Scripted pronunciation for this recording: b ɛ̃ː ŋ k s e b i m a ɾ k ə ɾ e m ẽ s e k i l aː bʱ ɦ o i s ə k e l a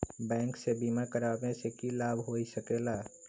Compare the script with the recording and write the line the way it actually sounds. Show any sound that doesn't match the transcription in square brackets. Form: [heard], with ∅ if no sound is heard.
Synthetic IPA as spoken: b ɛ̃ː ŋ k s e b i m a ɾ k ə ɾ [a] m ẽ s e k i l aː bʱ ɦ o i s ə k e l a

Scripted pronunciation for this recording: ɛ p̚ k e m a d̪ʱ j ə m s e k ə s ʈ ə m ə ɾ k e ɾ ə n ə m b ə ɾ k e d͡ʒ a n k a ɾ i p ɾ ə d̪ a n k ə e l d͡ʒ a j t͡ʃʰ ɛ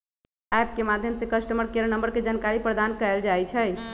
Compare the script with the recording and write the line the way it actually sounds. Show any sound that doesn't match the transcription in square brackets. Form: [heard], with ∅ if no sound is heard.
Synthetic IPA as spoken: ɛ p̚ k e m a d̪ʱ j ə m s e k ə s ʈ ə m ə ɾ k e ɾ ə n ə m b ə ɾ k e d͡ʒ a n k a ɾ i p ɾ ə d̪ a n k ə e l d͡ʒ a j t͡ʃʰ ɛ

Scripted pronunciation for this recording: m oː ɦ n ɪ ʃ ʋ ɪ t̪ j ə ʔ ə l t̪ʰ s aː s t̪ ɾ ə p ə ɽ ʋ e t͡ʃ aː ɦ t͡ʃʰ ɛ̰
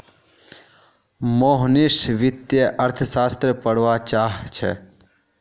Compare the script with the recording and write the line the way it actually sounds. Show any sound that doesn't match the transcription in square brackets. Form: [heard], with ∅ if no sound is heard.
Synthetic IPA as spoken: m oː ɦ n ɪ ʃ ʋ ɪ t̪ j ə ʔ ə [ɾ] t̪ʰ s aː s t̪ ɾ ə p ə ɽ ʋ [a] t͡ʃ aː ɦ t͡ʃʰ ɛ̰

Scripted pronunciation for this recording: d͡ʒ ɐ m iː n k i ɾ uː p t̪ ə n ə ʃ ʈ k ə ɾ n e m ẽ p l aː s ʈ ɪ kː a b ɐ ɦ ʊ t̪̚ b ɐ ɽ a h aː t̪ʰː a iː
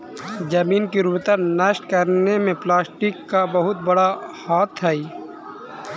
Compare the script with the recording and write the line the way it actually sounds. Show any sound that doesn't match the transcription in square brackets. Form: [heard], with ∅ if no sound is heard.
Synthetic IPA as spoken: d͡ʒ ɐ m iː n k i ɾ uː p t̪ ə n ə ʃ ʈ k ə ɾ n e m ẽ p l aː s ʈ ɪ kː a b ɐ ɦ ʊ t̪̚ b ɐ ɽ a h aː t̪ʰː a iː

